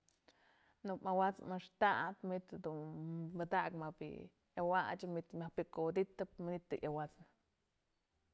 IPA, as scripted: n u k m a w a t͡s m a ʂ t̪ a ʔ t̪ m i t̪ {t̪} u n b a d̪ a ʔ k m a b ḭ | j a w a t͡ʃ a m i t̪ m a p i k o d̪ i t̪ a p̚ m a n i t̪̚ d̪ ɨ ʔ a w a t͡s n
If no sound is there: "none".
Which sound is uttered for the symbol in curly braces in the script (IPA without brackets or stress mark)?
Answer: d̪